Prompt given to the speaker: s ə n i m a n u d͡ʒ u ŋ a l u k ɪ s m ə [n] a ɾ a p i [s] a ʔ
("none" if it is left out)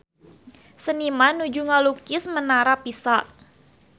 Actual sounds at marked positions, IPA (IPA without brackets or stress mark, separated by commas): n, s